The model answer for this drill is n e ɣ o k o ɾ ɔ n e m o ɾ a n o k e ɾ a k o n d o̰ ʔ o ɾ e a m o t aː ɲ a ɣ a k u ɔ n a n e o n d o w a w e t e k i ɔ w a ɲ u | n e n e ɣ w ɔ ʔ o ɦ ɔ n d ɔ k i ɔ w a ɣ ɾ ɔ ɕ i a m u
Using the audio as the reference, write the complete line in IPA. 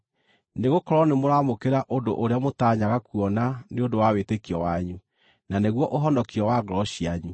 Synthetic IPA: n e ɣ o k ɔ ɾ ɔ n e m o ɾ a m o k e ɾ a ʔ o n d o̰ ʔ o ɾ e a m o t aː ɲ a ɣ a k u ɔ n a n e o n d o w a w e t e k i ɔ w a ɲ u | n a n e ɣ w ɔ ʔ o ɦ ɔ n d ɔ k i ɔ w a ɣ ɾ ɔ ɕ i a ɲ u

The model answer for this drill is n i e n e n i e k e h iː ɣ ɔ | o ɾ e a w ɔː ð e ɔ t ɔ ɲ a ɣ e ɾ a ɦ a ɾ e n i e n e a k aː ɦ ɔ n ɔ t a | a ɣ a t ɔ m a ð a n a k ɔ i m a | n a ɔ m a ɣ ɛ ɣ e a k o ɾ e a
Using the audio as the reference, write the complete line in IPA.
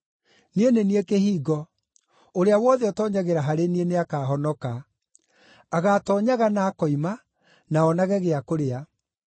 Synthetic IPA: n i e n e n i e k e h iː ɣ ɔ | o ɾ e a w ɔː ð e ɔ t ɔ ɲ a ɣ e ɾ a ɦ a ɾ e n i e n e a k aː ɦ ɔ n ɔ k a | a ɣ a t ɔ ɲ a ɣ a n a k ɔ i m a | n a ɔ n a ɣ ɛ ɣ e a k o ɾ e a

